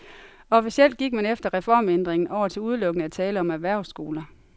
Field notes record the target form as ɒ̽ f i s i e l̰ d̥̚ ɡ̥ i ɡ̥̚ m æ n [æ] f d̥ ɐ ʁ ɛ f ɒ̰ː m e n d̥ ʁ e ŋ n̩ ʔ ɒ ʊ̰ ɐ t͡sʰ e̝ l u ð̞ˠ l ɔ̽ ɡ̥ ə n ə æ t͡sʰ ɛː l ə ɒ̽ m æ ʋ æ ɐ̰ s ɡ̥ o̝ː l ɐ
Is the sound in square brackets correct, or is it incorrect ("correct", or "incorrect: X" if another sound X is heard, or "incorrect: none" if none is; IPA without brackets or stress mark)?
incorrect: e